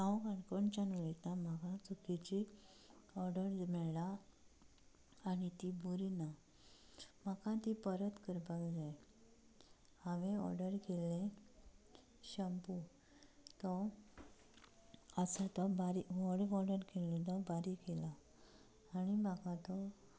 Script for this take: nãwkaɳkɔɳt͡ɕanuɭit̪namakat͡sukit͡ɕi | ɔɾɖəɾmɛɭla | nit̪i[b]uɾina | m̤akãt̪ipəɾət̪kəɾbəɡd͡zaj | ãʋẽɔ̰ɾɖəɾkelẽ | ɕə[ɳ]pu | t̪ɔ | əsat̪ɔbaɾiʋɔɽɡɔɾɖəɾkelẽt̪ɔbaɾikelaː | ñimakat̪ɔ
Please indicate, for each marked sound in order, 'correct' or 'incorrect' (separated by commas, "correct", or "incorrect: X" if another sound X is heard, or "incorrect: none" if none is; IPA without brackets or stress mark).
correct, incorrect: m